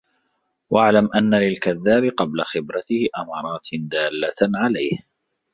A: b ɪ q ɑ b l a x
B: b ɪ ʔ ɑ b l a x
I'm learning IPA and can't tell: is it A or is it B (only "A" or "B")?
A